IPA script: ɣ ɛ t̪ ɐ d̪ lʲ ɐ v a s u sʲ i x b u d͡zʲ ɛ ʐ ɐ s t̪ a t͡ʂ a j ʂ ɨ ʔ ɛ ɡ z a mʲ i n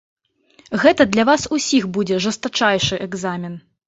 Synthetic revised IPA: ɣ ɛ t̪ ɐ d̪ lʲ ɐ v a s u sʲ i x b u d͡zʲ ɛ ʐ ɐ s t̪ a t͡ʂ a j ʂ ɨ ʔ ɛ ɡ z a mʲ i n